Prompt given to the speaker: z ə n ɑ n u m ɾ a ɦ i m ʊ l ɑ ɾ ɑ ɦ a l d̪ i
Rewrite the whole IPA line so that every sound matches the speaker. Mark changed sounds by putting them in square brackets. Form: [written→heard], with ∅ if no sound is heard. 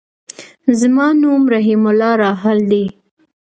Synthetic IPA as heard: z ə [n→m] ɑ n u m ɾ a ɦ i m ʊ l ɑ ɾ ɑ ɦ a l d̪ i